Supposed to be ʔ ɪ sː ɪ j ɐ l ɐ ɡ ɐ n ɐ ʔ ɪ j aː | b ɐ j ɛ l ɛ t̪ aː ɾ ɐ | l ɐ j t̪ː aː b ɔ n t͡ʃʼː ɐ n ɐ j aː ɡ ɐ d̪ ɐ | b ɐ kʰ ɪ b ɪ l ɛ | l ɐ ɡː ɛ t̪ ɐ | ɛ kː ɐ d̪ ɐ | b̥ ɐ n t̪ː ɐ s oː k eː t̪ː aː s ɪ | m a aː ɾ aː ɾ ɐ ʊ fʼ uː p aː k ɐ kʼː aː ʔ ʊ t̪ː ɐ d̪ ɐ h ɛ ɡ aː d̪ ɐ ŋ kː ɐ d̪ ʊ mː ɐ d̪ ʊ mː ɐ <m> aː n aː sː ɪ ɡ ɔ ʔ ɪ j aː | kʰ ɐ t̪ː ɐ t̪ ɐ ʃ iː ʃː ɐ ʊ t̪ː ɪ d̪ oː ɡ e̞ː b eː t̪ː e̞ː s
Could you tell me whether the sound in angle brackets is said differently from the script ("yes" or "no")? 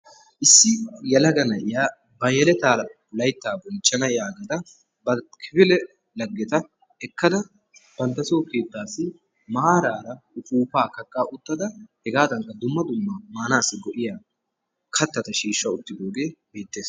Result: no